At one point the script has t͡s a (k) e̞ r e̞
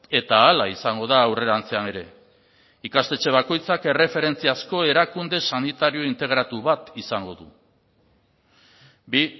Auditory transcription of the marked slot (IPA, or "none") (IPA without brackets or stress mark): k